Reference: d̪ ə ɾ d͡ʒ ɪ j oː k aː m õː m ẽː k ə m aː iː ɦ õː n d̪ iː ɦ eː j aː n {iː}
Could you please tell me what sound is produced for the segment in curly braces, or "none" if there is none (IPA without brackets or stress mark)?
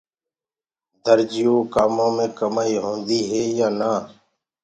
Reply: aː